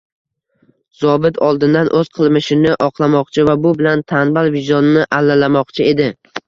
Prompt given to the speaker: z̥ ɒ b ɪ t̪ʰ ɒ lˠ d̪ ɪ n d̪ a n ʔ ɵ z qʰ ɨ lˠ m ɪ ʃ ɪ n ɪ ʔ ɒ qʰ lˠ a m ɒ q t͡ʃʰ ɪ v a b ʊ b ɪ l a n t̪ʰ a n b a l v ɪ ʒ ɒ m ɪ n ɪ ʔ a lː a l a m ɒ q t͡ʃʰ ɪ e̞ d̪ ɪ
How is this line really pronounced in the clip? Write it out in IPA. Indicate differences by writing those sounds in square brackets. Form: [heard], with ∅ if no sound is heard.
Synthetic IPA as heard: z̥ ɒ b ɪ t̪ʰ ɒ lˠ d̪ ɪ n d̪ a n ʔ ɵ z qʰ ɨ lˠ m ɪ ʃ ɪ n ɪ ʔ ɒ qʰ lˠ a m ɒ q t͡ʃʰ ɪ v a b ʊ b ɪ l a n t̪ʰ a n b a l v ɪ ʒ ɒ [n] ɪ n ɪ ʔ a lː a l a m ɒ q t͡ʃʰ ɪ e̞ d̪ ɪ

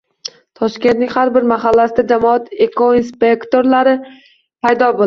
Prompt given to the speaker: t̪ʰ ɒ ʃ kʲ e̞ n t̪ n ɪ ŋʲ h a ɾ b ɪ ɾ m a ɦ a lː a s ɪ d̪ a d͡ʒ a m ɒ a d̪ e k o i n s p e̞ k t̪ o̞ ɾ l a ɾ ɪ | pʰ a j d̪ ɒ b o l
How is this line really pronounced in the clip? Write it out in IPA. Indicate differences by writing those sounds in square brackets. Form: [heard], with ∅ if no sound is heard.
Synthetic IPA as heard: t̪ʰ ɒ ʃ kʲ e̞ n t̪ n ɪ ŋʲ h a ɾ b ɪ ɾ m a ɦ a lː a s ɪ d̪ a d͡ʒ a m ɒ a [t̪] e k o i n s p e̞ k t̪ o̞ ɾ l a ɾ ɪ | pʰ a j d̪ ɒ b o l

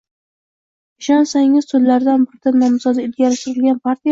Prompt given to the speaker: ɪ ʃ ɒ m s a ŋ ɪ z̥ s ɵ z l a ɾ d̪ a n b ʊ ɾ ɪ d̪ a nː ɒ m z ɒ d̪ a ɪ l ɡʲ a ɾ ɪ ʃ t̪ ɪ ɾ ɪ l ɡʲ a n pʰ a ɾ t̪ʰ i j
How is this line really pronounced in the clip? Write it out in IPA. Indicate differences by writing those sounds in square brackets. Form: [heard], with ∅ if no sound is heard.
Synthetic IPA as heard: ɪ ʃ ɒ [n] s a ŋ ɪ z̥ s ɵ z l a ɾ d̪ a n b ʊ ɾ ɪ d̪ a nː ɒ m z ɒ d̪ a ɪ l ɡʲ a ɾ ɪ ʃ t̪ ɪ ɾ ɪ l ɡʲ a n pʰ a ɾ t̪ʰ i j

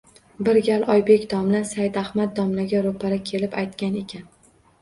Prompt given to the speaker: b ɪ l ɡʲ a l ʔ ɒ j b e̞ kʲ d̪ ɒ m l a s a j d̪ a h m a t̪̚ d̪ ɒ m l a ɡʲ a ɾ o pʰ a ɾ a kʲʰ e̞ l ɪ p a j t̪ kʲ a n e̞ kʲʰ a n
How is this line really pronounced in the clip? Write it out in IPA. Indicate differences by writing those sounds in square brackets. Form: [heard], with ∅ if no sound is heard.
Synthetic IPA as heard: b ɪ [ɾ] ɡʲ a l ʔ ɒ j b e̞ kʲ d̪ ɒ m l a s a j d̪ a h m a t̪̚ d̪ ɒ m l a ɡʲ a ɾ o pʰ a ɾ a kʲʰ e̞ l ɪ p a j t̪ kʲ a n e̞ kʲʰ a n

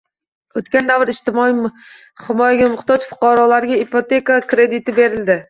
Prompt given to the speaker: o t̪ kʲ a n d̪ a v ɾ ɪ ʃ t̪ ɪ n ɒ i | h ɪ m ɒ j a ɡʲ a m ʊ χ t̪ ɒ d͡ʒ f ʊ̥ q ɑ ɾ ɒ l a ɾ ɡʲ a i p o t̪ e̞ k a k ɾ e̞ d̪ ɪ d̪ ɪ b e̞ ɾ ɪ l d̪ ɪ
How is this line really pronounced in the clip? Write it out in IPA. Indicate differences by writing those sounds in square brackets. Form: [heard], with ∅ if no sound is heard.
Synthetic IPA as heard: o t̪ kʲ a n d̪ a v ɾ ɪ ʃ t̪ ɪ [m] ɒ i | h ɪ m ɒ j a ɡʲ a m ʊ χ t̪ ɒ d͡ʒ f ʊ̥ q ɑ ɾ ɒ l a ɾ ɡʲ a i p o t̪ e̞ k a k ɾ e̞ d̪ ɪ [t̪] ɪ b e̞ ɾ ɪ l d̪ ɪ

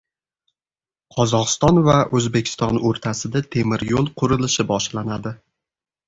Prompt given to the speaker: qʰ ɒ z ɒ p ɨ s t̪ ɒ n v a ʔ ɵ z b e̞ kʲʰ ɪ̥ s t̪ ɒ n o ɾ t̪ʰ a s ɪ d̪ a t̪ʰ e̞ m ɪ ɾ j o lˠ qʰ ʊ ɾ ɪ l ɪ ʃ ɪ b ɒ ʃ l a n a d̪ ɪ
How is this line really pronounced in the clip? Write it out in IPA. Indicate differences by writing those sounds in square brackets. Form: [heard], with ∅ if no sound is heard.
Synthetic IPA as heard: qʰ ɒ z ɒ [q] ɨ s t̪ ɒ n v a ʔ ɵ z b e̞ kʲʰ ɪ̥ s t̪ ɒ n o ɾ t̪ʰ a s ɪ d̪ a t̪ʰ e̞ m ɪ ɾ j o lˠ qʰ ʊ ɾ ɪ l ɪ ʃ ɪ b ɒ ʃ l a n a d̪ ɪ

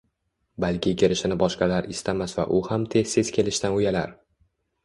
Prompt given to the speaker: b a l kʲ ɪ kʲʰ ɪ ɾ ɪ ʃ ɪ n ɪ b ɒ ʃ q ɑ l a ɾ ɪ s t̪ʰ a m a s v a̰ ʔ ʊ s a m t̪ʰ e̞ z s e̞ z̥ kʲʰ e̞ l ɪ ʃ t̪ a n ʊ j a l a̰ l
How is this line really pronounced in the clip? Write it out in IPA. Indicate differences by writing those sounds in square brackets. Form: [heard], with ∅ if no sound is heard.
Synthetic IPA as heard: b a l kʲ ɪ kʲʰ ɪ ɾ ɪ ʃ ɪ n ɪ b ɒ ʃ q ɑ l a ɾ ɪ s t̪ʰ a m a s v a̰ ʔ ʊ [h] a m t̪ʰ e̞ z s e̞ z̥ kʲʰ e̞ l ɪ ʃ t̪ a n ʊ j a l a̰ [ɾ]

